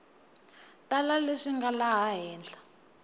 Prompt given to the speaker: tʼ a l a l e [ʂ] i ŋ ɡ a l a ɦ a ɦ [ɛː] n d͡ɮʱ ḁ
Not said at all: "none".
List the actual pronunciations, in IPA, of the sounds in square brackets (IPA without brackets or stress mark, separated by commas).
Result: ʂ, ɛː